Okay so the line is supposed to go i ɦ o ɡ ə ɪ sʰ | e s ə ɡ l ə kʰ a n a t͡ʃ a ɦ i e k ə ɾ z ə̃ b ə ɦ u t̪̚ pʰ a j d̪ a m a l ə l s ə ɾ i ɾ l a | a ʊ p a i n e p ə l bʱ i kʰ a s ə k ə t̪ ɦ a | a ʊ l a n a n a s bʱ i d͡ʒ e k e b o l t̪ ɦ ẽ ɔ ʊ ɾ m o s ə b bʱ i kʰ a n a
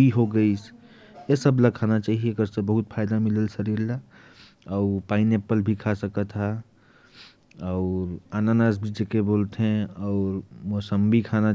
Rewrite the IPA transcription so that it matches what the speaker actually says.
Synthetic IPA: i ɦ o ɡ ə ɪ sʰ | e s ə b l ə kʰ a n a t͡ʃ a ɦ i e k ə ɾ s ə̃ b ə ɦ u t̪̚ pʰ a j d̪ a m i l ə l s ə ɾ i ɾ l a | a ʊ p a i n e p ə l bʱ i kʰ a s ə k ə t̪ ɦ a | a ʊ ɾ a n a n a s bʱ i d͡ʒ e k e b o l t̪ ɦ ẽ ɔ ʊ ɾ m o s ə m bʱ i kʰ a n a